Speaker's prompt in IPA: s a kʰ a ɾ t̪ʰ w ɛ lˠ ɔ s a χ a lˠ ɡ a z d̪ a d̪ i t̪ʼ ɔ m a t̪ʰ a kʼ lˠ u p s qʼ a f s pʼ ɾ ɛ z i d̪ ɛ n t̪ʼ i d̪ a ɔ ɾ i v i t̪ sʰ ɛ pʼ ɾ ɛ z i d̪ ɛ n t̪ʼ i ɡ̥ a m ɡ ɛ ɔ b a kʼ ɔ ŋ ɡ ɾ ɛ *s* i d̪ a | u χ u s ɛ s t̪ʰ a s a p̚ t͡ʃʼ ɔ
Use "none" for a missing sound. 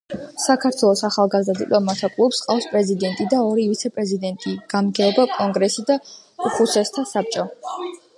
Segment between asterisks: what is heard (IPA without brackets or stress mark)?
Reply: s